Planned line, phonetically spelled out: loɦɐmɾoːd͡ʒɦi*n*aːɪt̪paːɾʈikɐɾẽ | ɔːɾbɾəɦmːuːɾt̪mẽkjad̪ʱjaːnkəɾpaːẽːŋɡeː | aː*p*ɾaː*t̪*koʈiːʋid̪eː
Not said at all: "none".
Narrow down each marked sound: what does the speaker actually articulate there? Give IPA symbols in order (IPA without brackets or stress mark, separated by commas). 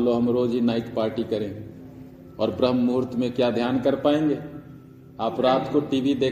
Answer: n, p, t̪